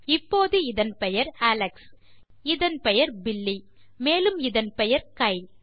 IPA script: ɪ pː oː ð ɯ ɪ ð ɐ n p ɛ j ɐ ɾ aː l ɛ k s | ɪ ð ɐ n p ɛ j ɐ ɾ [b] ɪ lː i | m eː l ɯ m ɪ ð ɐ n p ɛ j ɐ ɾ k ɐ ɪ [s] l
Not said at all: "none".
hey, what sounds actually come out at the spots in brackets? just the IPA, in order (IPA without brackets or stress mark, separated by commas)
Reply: b, none